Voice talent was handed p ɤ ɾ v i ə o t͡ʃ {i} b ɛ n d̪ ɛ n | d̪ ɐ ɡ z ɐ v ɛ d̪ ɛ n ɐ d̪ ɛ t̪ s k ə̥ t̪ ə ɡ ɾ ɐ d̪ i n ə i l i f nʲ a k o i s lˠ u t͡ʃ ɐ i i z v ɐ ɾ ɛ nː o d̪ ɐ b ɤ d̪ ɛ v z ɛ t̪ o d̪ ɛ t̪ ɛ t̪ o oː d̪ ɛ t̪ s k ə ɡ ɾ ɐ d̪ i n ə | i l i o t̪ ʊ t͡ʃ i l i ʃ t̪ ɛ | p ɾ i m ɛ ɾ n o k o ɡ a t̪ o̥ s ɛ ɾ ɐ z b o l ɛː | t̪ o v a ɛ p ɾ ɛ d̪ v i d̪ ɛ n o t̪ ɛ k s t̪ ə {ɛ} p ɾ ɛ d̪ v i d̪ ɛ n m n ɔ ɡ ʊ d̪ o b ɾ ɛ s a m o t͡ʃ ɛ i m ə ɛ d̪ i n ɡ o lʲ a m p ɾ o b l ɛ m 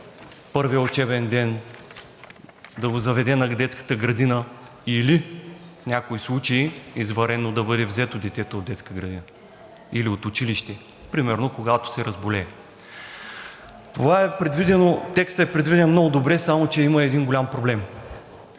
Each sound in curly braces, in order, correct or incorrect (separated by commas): incorrect, correct